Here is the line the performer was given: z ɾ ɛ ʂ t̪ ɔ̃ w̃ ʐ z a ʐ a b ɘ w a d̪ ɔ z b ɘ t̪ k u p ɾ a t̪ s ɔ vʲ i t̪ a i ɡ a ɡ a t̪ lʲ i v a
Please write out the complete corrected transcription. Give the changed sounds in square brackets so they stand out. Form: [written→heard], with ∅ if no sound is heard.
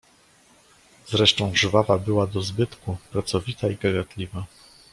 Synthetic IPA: z ɾ ɛ ʂ t̪ ɔ̃ w̃ ʐ [z→v] a [ʐ→v] a b ɘ w a d̪ ɔ z b ɘ t̪ k u p ɾ a t̪ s ɔ vʲ i t̪ a i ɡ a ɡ a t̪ lʲ i v a

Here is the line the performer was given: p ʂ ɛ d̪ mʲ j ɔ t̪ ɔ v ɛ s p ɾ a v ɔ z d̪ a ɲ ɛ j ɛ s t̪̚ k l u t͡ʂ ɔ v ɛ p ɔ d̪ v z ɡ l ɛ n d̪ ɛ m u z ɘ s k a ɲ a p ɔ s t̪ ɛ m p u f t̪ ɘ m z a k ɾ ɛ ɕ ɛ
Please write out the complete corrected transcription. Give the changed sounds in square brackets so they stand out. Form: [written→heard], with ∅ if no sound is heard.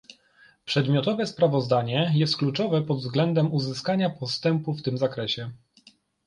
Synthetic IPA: p ʂ ɛ d̪ mʲ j ɔ t̪ ɔ v ɛ s p ɾ a v ɔ z d̪ a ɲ ɛ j ɛ s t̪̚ k l u t͡ʂ ɔ v ɛ p ɔ d̪ v z ɡ l ɛ n d̪ ɛ m u z ɘ s k a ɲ a p ɔ s t̪ ɛ m p u f t̪ ɘ m z a k ɾ ɛ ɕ ɛ

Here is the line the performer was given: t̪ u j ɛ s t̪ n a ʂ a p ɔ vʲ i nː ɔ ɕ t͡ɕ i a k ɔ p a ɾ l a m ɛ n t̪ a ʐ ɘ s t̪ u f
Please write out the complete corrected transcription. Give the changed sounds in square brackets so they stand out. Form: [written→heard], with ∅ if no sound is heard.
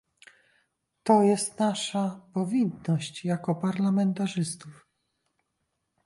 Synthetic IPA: t̪ [u→ɔ] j ɛ s t̪ n a ʂ a p ɔ vʲ i nː ɔ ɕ t͡ɕ [i→j] a k ɔ p a ɾ l a m ɛ n t̪ a ʐ ɘ s t̪ u f

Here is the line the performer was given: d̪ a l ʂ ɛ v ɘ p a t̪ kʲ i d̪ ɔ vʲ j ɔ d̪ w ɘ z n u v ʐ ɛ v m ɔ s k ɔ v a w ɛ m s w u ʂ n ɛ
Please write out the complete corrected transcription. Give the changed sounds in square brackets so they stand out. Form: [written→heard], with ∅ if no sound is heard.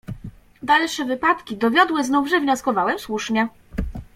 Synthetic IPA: d̪ a l ʂ ɛ v ɘ p a t̪ kʲ i d̪ ɔ vʲ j ɔ d̪ w ɘ z n u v ʐ ɛ v [m→ɲ] ɔ s k ɔ v a w ɛ m s w u ʂ [n→ɲ] ɛ

